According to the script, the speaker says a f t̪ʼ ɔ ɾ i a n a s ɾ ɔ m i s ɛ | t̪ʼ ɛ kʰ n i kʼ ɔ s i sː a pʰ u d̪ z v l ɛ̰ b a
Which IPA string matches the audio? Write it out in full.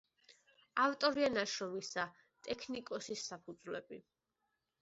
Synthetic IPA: a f t̪ʼ ɔ ɾ i a n a ʃ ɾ ɔ m i s a | t̪ʼ ɛ kʰ n i kʼ ɔ s i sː a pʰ u d̪ z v l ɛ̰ b i